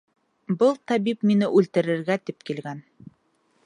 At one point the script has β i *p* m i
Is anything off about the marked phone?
no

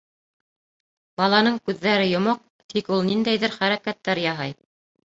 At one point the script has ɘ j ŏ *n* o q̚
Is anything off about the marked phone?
yes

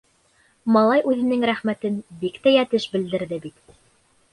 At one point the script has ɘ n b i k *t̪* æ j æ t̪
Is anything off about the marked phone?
no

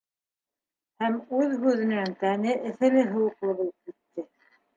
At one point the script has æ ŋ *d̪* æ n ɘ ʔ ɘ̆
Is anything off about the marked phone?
yes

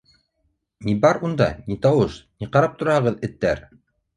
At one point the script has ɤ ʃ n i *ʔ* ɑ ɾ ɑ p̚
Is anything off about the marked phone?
yes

